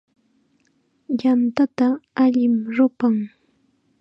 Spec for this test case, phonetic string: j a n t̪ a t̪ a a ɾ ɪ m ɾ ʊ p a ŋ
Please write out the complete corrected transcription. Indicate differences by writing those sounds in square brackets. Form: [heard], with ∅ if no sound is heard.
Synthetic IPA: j a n t̪ a t̪ a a [ʎ] ɪ m ɾ ʊ p a ŋ